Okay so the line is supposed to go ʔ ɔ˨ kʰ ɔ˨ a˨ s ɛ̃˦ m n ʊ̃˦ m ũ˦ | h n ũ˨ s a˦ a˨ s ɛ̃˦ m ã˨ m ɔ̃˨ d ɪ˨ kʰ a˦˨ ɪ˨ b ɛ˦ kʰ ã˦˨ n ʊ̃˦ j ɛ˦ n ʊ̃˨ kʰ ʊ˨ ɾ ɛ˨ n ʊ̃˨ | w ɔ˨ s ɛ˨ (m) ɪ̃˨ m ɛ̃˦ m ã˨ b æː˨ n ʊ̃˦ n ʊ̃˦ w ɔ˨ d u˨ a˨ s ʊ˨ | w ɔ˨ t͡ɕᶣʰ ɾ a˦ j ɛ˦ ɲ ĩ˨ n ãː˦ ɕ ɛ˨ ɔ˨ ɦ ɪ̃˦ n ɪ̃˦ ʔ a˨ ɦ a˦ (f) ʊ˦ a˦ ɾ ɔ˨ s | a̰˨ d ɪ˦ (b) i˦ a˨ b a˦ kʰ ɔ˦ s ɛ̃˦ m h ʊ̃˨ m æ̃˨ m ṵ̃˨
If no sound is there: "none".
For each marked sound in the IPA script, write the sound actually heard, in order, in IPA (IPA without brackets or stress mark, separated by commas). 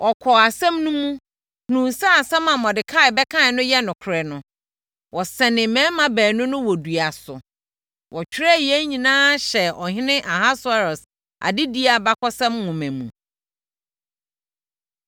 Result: n, s, d